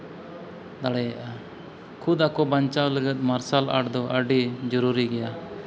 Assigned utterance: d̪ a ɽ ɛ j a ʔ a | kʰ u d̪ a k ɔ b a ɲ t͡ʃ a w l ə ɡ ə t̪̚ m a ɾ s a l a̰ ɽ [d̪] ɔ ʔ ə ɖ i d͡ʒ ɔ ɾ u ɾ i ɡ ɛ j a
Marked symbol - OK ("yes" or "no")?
yes